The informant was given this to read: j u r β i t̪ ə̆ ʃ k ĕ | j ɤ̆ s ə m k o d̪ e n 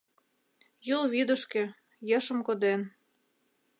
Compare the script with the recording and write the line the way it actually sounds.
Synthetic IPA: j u l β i d̪ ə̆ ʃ k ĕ | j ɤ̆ ʃ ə m k o d̪ e n